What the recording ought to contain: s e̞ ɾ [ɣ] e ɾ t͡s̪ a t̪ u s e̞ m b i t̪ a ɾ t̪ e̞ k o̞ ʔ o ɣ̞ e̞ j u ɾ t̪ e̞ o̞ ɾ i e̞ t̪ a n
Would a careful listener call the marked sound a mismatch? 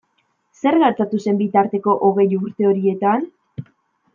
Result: no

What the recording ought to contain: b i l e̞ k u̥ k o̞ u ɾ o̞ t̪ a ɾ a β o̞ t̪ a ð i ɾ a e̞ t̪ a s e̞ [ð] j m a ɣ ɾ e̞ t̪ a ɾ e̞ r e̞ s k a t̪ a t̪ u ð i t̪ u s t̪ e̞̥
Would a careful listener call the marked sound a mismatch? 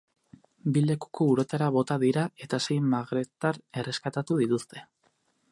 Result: yes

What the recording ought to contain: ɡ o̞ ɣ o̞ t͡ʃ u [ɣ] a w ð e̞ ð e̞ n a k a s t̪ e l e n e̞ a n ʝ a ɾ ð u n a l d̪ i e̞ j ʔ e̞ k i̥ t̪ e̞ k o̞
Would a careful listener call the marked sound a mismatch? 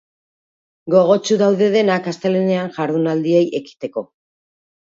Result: yes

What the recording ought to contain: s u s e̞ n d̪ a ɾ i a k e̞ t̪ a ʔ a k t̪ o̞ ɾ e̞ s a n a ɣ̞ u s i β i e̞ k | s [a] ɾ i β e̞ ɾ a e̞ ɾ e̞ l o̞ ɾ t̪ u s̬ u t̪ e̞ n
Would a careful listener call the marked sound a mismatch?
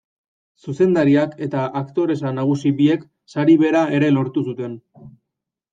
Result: no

